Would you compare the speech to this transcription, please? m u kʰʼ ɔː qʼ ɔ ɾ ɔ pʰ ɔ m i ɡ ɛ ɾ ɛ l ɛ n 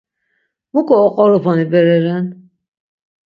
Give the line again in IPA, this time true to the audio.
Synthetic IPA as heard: m u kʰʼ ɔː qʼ ɔ ɾ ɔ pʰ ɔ n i b ɛ ɾ ɛ ɾ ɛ n